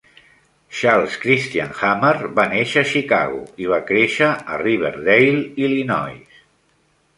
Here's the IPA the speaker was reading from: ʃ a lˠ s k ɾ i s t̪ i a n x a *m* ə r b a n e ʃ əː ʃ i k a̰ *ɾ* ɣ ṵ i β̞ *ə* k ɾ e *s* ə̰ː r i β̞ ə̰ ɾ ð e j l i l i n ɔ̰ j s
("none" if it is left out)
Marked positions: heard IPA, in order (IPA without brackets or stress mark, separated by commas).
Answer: m, none, a, ʃ